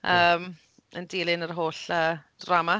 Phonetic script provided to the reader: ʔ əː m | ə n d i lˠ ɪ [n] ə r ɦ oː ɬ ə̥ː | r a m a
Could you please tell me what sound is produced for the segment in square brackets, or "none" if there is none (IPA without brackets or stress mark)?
n